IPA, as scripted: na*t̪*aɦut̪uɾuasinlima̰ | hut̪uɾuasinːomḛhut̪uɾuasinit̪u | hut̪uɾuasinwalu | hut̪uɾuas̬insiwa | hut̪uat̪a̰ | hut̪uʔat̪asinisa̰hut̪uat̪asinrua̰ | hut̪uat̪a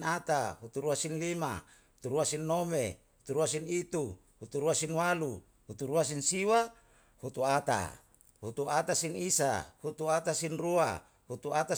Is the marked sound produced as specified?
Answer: yes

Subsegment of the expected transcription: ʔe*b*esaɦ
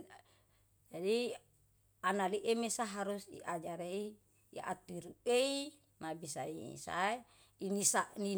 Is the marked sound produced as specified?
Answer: no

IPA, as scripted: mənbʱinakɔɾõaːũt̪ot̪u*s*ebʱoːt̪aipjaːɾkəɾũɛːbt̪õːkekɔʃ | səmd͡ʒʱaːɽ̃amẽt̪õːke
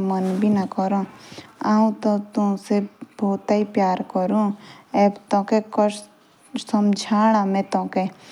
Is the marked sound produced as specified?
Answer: yes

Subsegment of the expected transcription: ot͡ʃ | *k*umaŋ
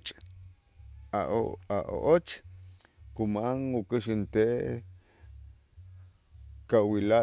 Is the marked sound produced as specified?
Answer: yes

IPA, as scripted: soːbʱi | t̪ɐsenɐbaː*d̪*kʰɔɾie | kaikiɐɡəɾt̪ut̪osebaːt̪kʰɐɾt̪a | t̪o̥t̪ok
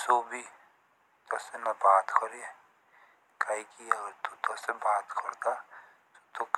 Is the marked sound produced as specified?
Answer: no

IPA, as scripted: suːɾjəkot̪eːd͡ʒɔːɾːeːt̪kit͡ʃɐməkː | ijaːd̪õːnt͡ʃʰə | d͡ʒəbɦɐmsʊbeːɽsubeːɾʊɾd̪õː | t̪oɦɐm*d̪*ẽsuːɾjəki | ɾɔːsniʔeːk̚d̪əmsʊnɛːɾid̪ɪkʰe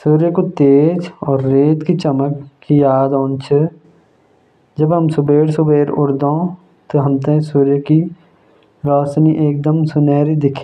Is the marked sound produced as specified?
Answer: no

